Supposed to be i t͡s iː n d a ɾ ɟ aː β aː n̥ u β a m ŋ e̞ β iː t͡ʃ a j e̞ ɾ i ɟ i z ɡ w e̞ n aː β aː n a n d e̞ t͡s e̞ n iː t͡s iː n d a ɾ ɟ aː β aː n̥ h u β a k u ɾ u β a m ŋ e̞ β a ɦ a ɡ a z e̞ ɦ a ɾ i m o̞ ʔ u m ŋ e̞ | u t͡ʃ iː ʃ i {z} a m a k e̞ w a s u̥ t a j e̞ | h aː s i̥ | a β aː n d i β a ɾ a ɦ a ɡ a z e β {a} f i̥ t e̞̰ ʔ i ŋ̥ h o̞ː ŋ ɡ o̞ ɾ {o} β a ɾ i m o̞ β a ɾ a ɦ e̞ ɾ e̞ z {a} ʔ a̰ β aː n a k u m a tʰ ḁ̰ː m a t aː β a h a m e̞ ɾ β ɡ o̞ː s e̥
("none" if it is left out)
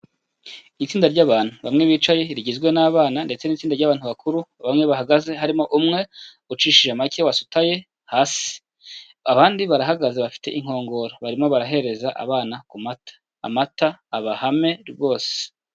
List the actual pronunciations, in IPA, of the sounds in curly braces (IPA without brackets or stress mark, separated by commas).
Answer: ʒ, a, o, a